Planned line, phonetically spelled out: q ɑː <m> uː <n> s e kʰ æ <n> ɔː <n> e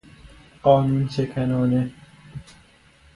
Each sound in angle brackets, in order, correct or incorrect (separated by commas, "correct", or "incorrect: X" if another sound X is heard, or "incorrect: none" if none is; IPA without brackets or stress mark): incorrect: n, correct, correct, correct